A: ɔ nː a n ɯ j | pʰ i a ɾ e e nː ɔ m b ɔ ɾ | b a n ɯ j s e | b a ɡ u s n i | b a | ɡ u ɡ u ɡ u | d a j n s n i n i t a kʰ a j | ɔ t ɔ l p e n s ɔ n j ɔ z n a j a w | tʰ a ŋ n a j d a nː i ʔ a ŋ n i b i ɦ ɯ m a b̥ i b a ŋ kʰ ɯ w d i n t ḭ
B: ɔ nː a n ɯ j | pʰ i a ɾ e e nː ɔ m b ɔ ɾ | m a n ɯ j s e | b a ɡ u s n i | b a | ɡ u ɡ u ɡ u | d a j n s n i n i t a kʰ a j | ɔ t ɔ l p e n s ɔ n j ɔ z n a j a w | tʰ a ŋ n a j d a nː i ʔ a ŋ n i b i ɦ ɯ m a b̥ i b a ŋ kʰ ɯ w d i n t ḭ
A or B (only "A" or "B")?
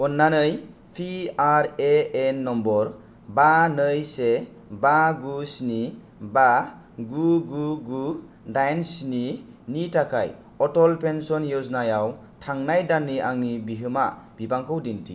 A